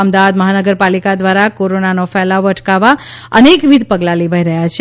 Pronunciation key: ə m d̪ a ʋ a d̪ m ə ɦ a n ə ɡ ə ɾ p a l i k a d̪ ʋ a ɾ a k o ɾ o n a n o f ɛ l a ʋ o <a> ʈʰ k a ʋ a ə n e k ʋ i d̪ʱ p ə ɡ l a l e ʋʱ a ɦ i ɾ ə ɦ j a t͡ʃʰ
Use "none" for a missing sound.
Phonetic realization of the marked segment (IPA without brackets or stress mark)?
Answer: ə